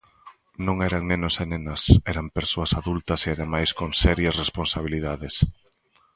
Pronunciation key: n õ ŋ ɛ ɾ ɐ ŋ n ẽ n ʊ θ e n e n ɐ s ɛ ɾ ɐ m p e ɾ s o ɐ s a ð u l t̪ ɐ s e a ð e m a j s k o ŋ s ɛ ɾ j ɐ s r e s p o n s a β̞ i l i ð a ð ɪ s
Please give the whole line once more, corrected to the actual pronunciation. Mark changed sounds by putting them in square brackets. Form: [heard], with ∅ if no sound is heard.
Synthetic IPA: n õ ŋ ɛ ɾ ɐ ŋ n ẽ n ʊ [s] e n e n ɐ s ɛ ɾ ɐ m p e ɾ s o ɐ s a ð u l t̪ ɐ s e a ð e m a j s k o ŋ s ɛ ɾ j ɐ s r e s p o n s a β̞ i l i ð a ð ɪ s